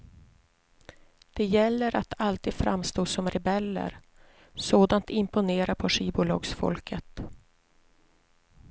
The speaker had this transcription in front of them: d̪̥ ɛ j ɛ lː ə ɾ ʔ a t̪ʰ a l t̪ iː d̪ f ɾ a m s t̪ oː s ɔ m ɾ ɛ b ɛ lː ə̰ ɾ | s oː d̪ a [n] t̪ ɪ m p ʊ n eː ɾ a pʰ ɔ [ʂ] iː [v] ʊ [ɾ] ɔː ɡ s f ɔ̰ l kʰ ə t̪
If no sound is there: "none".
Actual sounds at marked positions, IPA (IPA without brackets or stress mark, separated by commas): n, ʂ, b, l